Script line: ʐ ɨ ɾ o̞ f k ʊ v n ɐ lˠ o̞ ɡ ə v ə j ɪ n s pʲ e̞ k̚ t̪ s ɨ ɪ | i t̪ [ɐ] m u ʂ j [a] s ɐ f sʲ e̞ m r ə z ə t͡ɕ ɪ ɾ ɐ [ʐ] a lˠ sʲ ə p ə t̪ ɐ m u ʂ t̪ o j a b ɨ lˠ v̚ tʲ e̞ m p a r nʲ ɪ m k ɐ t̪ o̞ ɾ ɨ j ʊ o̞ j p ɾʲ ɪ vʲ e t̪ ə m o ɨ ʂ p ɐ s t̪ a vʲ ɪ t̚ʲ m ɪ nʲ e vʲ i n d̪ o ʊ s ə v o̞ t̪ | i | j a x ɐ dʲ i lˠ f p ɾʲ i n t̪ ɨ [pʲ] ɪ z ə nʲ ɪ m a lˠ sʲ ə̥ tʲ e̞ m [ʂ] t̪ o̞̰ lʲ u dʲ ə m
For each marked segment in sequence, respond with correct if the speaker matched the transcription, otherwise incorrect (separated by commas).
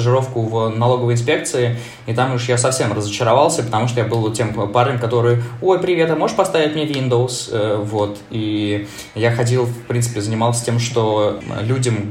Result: incorrect, correct, incorrect, correct, correct